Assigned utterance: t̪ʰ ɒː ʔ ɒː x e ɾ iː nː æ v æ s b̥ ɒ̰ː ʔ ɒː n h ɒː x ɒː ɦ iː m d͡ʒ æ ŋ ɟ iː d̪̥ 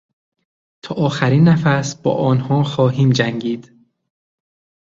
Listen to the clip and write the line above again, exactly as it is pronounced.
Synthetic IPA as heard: t̪ʰ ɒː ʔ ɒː x æ ɾ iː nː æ f æ s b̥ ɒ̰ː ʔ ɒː n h ɒː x ɒː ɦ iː m d͡ʒ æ ŋ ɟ iː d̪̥